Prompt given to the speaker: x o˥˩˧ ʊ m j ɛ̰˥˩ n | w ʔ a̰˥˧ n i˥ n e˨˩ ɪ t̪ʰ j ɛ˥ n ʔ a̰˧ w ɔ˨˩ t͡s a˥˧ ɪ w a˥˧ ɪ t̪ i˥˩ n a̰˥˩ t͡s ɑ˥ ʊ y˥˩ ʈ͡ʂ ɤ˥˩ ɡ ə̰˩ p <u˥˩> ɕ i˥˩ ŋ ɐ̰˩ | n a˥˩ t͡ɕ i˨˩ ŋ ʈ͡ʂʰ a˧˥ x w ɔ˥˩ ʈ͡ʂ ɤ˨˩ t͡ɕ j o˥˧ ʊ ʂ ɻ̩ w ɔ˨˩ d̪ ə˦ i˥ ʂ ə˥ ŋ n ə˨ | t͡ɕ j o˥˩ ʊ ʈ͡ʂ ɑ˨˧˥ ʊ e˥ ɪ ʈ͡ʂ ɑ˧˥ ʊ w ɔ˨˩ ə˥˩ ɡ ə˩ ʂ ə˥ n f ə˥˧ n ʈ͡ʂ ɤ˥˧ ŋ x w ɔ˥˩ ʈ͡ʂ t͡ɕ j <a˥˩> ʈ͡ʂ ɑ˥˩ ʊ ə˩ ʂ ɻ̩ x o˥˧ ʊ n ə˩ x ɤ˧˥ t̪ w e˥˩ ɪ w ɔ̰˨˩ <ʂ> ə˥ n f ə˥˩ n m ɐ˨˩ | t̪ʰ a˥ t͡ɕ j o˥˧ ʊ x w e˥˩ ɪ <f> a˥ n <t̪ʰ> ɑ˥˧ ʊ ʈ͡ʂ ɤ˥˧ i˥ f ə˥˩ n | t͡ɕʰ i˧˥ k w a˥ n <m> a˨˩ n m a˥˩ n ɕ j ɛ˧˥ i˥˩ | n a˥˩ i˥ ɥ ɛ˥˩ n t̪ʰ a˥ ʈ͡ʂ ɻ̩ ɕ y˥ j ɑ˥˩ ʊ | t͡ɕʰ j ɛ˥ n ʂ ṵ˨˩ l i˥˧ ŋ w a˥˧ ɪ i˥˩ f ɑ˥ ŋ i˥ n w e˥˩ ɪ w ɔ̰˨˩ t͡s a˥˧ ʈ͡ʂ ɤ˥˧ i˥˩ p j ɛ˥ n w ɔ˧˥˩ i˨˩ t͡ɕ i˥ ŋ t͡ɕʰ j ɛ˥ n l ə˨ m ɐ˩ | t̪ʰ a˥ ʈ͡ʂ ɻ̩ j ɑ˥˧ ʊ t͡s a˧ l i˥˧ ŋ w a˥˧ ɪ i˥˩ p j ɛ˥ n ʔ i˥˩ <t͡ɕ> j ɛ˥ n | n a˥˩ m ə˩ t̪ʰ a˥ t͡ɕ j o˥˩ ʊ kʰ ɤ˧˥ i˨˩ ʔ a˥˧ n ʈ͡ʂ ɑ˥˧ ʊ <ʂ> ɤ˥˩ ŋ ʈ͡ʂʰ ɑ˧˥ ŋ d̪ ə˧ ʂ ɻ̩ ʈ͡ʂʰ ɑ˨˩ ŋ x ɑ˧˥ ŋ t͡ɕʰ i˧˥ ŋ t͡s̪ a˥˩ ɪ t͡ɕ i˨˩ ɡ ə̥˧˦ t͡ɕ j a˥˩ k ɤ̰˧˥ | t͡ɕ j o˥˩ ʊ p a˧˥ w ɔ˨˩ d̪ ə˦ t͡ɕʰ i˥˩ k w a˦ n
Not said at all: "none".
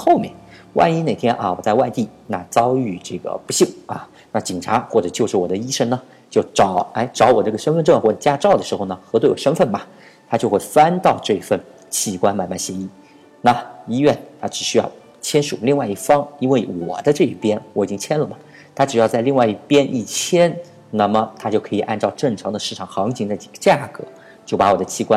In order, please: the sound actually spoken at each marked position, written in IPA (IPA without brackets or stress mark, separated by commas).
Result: u˧˥, a˥, ʂ, f, t̪, m, t͡ɕʰ, ʈ͡ʂ